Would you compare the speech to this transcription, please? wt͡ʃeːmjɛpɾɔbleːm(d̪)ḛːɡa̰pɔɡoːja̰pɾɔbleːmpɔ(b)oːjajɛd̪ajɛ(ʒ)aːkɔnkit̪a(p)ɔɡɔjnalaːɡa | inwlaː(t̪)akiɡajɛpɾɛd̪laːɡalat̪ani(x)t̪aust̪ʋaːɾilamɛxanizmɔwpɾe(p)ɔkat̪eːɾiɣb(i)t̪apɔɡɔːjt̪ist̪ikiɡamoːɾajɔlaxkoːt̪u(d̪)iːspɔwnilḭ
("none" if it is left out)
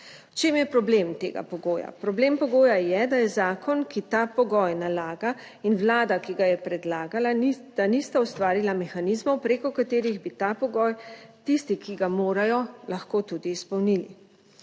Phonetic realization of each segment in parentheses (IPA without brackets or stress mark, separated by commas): t̪, ɡ, z, p, d̪, s, k, i, d̪